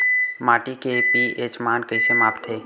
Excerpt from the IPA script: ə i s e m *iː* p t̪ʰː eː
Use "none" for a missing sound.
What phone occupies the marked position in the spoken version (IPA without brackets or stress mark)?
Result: aː